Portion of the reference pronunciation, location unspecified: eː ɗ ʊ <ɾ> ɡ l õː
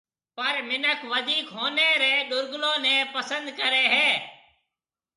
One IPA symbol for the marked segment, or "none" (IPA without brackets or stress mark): ɾ